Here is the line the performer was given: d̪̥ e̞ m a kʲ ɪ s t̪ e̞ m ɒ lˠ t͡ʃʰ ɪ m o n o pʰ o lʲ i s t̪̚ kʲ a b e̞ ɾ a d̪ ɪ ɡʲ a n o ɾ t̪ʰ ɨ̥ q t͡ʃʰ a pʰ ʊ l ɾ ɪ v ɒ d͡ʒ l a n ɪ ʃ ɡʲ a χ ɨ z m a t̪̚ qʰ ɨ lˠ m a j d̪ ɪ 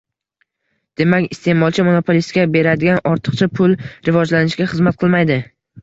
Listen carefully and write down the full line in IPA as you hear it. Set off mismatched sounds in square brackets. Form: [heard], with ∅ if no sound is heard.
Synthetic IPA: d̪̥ e̞ m a kʲ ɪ s t̪ e̞ m ɒ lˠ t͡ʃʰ ɪ m o n o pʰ o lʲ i s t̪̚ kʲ a b e̞ ɾ a d̪ ɪ ɡʲ a n [ɒ] ɾ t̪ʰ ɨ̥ q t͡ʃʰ a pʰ ʊ l ɾ ɪ v ɒ d͡ʒ l a n ɪ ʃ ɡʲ a χ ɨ z m a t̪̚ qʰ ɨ lˠ m a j d̪ ɪ